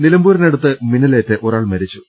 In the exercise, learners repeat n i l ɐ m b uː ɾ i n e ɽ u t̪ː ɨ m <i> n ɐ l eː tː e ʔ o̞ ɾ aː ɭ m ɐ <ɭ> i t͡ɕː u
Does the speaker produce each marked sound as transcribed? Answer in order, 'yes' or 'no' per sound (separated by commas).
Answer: yes, no